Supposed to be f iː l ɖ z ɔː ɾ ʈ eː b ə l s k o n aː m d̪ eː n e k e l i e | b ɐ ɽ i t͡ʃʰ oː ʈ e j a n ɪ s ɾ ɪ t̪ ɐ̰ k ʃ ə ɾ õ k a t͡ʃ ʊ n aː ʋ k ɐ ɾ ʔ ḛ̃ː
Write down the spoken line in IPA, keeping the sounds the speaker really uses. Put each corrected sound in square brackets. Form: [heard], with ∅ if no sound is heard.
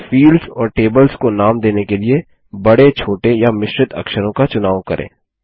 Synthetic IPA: f iː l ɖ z ɔː ɾ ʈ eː b ə l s k o n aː m d̪ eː n e k e l i e | b ɐ ɽ [e] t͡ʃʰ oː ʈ e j a [m] ɪ [ʃ] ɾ ɪ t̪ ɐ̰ k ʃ ə ɾ õ k a t͡ʃ ʊ n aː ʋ k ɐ ɾ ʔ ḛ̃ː